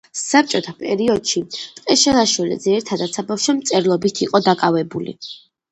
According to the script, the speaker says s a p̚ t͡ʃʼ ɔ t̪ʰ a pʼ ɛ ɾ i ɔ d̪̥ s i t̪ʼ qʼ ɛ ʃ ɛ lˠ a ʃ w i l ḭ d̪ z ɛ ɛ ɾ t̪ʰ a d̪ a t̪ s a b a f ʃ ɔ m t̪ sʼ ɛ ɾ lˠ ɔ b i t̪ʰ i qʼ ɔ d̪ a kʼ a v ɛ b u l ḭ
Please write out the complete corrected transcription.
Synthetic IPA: s a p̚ t͡ʃʼ ɔ t̪ʰ a pʼ ɛ ɾ i ɔ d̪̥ ʃ i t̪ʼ qʼ ɛ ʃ ɛ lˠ a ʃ w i l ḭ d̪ z ɛ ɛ ɾ t̪ʰ a d̪ a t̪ s a b a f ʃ ɔ m t̪ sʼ ɛ ɾ lˠ ɔ b i t̪ʰ i qʼ ɔ d̪ a kʼ a v ɛ b u l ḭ